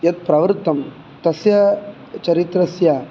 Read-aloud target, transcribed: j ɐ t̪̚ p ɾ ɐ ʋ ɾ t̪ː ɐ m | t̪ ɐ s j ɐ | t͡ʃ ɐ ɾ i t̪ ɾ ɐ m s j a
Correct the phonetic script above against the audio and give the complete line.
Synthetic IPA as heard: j ɐ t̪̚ p ɾ ɐ ʋ ɾ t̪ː ɐ m | t̪ ɐ s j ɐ | t͡ʃ ɐ ɾ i t̪ ɾ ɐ s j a